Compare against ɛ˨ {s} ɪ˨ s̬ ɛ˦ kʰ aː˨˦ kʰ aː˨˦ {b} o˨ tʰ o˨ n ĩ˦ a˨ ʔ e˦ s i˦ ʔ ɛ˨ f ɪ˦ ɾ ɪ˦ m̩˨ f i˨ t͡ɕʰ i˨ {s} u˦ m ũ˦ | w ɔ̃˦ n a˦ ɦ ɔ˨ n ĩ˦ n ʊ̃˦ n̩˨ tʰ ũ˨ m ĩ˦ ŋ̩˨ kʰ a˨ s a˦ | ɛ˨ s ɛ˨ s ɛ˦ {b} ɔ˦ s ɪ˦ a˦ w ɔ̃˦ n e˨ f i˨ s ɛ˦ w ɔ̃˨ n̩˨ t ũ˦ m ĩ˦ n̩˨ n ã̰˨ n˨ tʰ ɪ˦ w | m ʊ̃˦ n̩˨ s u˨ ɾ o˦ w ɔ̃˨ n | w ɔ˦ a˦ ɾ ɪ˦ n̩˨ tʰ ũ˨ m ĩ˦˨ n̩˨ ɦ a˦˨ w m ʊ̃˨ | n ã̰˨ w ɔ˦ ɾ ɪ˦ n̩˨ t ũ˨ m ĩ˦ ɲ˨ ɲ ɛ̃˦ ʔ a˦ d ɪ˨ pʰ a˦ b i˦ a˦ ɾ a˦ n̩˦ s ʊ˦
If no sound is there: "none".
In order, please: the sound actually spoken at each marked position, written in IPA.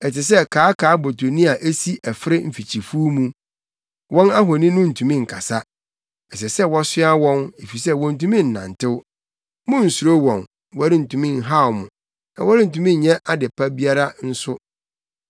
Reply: t, b, f, w

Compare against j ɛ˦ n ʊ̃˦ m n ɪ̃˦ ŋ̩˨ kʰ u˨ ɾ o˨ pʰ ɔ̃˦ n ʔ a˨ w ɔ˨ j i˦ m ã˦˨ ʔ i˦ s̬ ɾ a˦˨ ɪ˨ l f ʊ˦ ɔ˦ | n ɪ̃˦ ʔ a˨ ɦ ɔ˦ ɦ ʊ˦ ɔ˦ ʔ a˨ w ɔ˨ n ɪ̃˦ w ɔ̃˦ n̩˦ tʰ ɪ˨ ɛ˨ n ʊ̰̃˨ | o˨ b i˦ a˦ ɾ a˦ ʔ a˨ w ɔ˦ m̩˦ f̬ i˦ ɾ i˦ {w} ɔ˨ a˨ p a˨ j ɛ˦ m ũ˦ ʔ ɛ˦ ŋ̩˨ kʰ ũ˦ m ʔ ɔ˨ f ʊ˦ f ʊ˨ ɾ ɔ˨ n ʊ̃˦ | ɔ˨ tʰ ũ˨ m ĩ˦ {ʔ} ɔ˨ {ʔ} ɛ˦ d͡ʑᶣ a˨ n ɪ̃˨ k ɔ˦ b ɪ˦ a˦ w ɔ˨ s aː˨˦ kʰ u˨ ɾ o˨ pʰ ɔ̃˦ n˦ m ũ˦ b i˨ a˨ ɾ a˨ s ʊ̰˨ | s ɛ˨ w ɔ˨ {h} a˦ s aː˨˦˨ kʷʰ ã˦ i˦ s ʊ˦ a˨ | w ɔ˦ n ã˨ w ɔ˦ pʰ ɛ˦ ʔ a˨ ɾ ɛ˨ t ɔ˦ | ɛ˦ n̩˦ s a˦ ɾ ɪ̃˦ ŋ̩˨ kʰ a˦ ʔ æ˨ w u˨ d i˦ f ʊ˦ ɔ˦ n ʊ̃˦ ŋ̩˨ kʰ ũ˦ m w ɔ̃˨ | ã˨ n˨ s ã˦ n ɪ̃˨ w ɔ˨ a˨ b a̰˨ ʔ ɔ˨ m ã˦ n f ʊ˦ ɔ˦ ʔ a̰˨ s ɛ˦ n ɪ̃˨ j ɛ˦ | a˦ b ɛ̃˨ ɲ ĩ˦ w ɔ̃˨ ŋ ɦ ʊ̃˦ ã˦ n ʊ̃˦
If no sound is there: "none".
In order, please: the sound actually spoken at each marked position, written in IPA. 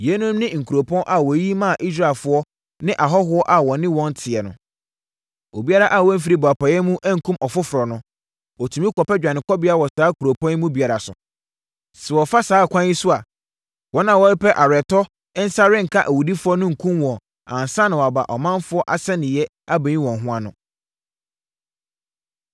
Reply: b, k, p, f

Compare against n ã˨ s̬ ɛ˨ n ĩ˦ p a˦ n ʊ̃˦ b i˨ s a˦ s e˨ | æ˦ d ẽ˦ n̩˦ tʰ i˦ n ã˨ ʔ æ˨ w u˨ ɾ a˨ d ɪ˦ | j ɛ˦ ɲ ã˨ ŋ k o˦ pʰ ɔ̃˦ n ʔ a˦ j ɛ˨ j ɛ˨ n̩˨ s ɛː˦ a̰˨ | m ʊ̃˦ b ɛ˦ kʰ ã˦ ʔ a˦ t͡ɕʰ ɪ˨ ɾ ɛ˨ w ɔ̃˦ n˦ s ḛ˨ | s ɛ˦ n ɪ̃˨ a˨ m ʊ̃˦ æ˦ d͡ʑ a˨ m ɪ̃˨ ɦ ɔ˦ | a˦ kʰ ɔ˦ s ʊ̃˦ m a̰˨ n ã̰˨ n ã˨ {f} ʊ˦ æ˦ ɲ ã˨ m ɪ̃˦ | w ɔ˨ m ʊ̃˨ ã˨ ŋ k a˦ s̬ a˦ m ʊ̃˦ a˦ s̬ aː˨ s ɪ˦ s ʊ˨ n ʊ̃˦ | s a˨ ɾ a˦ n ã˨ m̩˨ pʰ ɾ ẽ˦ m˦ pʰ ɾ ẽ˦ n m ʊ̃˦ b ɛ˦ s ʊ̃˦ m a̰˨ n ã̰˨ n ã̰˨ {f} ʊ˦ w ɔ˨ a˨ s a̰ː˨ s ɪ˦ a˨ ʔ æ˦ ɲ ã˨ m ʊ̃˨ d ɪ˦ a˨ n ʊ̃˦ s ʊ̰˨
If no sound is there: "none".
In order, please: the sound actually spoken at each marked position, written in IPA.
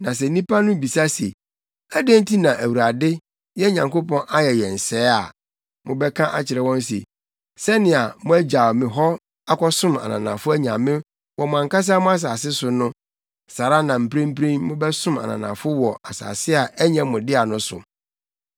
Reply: f, f

